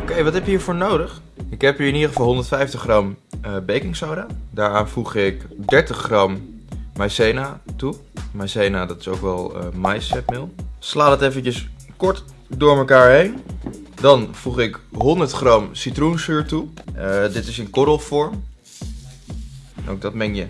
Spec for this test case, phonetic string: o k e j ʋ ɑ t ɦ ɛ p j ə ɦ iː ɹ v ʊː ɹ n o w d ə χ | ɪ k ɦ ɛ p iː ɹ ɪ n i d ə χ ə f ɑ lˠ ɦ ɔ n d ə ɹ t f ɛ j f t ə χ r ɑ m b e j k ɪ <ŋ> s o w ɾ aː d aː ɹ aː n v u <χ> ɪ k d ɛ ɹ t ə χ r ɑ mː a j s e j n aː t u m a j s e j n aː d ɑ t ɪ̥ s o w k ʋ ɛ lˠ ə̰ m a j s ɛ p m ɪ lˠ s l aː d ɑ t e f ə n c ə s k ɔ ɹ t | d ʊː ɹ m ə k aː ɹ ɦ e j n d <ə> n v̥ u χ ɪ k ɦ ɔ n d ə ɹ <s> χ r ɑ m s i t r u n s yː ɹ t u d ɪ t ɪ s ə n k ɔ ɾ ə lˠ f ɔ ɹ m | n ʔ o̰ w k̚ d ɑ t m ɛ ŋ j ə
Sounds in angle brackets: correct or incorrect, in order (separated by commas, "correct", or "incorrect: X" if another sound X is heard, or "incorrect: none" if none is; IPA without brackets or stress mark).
correct, correct, incorrect: ɑ, incorrect: t